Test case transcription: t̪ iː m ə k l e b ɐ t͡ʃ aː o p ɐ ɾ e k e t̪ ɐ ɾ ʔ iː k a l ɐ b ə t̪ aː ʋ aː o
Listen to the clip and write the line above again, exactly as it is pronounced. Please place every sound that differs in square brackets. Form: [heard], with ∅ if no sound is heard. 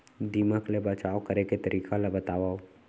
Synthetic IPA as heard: [d̪] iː m ə k l e b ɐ t͡ʃ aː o [k] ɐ ɾ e k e t̪ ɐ ɾ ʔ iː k a l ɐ b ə t̪ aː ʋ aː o